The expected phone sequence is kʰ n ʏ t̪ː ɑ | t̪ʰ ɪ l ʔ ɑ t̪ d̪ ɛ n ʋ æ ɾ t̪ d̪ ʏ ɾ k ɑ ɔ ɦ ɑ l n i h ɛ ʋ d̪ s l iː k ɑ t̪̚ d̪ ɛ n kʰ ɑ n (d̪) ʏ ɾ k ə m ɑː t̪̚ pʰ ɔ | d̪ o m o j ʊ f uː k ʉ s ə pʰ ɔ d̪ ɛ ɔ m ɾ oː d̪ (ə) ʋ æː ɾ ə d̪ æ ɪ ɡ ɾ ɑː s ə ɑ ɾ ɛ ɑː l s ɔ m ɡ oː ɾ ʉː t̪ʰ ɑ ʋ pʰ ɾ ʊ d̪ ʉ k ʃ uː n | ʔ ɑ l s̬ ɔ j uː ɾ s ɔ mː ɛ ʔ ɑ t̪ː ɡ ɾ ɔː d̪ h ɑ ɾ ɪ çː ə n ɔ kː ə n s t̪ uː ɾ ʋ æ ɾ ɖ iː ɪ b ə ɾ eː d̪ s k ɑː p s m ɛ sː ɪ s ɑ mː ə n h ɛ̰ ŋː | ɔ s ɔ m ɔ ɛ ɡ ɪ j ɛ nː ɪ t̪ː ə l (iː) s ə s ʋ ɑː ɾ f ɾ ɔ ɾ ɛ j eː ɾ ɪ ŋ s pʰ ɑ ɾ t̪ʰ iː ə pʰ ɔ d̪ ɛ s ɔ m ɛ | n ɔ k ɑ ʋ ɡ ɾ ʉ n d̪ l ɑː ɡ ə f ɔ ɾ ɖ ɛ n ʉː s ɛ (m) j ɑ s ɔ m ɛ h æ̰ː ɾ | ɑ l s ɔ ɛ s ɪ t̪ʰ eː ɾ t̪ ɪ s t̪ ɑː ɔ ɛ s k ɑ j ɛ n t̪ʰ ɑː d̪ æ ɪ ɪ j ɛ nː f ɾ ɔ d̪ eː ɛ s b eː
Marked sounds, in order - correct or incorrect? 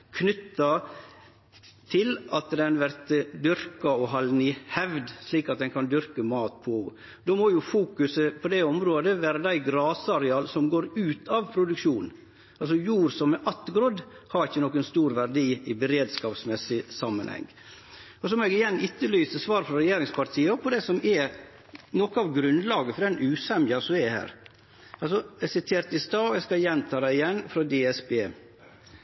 correct, correct, incorrect, correct

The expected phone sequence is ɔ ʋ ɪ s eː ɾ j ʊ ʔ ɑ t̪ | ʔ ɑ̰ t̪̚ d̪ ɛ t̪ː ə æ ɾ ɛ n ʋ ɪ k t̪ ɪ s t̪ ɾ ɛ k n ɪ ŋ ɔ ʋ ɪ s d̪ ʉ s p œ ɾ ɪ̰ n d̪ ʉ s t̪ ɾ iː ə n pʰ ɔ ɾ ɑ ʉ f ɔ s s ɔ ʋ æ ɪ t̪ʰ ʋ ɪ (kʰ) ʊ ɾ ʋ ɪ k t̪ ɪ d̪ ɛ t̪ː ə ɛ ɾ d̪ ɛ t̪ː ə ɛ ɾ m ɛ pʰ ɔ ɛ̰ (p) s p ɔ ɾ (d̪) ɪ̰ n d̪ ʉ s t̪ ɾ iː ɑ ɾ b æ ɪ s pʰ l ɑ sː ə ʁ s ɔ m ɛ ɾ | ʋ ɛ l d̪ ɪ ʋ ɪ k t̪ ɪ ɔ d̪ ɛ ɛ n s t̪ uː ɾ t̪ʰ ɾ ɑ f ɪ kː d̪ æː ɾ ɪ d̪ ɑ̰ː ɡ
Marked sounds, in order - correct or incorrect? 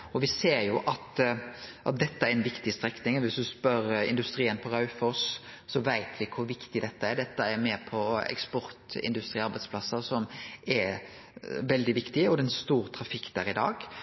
correct, incorrect, incorrect

